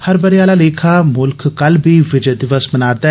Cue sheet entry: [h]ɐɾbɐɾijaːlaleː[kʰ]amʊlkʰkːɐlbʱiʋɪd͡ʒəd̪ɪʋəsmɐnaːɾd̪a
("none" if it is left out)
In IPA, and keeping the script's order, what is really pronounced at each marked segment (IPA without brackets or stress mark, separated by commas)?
h, kʰ